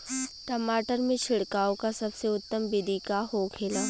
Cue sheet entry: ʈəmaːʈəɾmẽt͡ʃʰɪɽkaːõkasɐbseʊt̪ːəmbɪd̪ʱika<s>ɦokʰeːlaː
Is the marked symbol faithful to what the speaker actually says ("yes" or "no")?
no